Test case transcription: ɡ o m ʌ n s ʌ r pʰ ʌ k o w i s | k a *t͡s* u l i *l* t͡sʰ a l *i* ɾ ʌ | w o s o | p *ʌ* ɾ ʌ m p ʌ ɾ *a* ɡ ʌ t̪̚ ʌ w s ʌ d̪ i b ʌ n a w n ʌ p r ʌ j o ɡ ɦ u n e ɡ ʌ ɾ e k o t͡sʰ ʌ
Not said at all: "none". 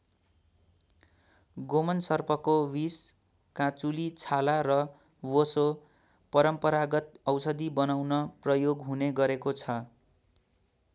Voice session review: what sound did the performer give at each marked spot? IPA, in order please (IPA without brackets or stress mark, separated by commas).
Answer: t͡s, none, a, ʌ, a